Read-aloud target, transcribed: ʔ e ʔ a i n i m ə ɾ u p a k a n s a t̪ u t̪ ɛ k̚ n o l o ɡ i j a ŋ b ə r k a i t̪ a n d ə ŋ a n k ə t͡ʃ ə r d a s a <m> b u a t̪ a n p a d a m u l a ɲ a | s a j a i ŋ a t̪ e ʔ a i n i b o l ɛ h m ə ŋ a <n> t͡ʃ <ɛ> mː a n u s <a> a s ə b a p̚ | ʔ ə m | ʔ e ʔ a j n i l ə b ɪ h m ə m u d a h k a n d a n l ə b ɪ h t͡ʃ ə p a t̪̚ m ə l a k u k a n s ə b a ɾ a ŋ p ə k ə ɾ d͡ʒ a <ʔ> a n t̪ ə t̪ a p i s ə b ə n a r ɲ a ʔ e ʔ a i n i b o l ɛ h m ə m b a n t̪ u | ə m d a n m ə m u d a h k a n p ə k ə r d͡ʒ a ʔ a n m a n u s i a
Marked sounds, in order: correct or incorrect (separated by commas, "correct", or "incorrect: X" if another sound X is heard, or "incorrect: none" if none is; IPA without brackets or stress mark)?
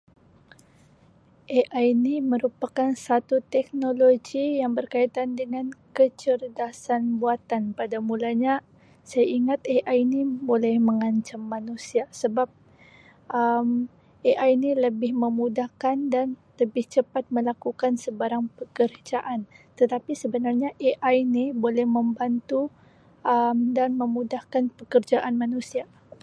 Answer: incorrect: n, incorrect: ɲ, incorrect: a, incorrect: i, correct